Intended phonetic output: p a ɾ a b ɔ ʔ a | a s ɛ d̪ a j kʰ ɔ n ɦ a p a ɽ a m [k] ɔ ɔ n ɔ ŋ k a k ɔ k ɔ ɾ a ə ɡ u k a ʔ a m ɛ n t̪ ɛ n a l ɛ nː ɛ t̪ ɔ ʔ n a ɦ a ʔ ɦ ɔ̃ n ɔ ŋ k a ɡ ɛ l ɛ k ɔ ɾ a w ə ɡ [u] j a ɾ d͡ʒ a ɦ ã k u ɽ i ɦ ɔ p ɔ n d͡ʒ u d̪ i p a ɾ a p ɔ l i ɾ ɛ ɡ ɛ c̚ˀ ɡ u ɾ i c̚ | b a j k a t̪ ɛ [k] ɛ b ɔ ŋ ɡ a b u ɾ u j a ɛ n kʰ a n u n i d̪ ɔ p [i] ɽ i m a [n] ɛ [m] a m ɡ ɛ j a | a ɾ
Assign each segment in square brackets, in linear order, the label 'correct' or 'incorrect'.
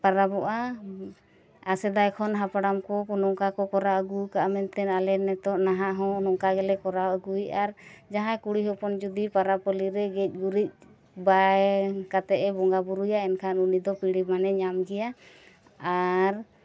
correct, correct, incorrect: ʔ, correct, correct, incorrect: ɲ

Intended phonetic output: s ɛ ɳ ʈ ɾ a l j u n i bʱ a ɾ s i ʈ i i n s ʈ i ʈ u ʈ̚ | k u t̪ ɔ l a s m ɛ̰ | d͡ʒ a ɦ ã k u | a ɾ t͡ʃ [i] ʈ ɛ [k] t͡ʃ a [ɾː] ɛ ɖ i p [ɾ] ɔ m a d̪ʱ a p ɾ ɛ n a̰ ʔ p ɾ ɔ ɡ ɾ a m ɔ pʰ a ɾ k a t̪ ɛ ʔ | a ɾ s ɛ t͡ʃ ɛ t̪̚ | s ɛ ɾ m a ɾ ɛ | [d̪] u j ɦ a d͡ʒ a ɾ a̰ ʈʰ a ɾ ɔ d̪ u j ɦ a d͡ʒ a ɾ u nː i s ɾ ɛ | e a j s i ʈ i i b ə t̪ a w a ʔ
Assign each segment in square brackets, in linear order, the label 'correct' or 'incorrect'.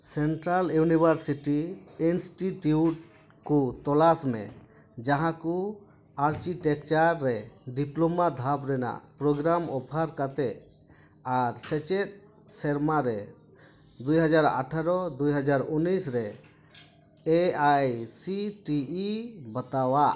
correct, correct, correct, incorrect: l, correct

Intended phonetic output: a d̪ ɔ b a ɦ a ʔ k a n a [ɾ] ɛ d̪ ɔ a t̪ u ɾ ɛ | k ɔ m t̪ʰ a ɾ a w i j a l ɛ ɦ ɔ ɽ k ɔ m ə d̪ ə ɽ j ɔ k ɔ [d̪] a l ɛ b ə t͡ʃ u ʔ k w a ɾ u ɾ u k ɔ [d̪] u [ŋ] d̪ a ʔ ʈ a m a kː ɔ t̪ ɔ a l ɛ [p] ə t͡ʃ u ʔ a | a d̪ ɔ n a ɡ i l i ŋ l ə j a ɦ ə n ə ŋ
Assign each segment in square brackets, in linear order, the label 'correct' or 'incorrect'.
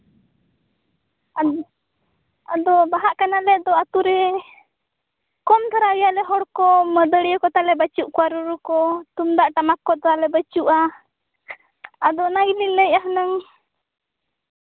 incorrect: l, incorrect: t̪, incorrect: t̪, incorrect: m, incorrect: b

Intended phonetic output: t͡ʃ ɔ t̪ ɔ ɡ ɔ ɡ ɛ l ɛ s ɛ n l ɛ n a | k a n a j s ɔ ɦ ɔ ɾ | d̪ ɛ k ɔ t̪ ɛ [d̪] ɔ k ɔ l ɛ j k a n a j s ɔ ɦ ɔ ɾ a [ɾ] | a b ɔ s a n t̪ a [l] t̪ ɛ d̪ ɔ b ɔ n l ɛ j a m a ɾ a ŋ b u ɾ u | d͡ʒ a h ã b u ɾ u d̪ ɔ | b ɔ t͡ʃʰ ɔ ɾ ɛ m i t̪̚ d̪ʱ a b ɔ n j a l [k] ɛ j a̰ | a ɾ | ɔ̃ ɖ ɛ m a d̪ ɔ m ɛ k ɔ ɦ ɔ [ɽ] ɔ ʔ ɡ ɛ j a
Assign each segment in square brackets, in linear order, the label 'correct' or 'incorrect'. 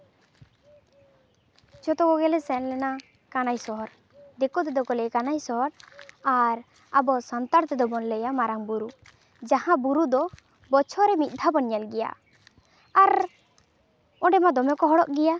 correct, correct, incorrect: ɾ, incorrect: ɡ, correct

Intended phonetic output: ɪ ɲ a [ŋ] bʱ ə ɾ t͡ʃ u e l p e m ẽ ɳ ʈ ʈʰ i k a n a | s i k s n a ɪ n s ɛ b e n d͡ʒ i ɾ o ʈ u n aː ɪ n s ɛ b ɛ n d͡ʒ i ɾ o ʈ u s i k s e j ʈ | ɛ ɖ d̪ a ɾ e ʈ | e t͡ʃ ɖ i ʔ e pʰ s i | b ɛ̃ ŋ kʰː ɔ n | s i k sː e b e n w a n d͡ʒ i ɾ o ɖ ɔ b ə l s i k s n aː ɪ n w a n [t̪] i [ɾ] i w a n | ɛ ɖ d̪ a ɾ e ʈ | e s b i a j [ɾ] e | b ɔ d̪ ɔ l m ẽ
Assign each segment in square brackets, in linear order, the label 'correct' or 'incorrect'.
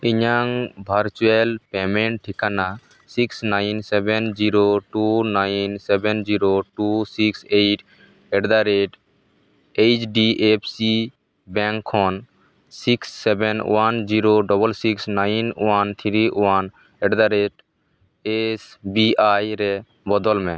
correct, incorrect: t̪ʰ, correct, correct

